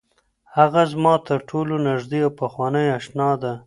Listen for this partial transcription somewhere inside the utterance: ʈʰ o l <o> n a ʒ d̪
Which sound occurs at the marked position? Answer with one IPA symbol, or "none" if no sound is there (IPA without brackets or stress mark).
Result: o